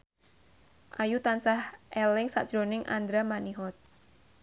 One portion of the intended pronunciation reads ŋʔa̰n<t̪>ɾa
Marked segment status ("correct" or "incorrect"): incorrect